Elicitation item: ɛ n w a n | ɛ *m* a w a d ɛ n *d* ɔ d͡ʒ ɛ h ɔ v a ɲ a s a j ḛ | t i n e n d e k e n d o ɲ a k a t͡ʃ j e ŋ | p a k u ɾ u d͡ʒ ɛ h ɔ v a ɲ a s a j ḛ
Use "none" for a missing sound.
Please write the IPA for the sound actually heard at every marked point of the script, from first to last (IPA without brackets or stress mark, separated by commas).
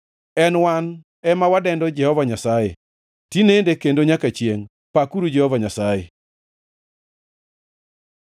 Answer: m, d